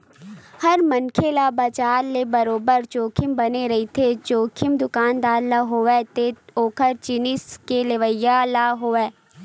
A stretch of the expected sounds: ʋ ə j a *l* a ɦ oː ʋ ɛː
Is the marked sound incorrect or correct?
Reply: correct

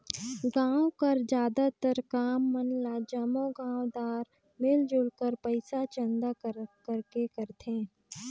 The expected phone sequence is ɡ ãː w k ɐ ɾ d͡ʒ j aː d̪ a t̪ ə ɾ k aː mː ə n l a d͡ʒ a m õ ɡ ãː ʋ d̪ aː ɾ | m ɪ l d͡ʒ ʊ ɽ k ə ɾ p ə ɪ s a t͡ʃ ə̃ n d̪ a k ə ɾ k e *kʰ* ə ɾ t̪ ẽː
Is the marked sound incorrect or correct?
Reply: incorrect: k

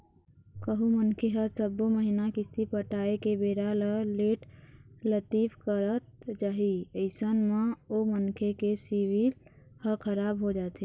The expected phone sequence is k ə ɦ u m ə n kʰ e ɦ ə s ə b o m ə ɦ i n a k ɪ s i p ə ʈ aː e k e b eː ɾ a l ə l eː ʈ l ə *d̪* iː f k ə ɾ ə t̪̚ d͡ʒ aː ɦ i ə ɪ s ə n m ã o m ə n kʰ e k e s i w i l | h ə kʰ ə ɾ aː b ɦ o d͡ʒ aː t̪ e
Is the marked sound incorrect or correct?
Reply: incorrect: t̪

